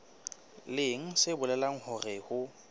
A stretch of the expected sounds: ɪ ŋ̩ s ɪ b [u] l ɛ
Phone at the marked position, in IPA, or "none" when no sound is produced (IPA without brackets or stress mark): ʊ